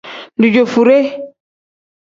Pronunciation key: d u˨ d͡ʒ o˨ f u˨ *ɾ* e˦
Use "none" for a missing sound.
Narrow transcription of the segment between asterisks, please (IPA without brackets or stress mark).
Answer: ɾ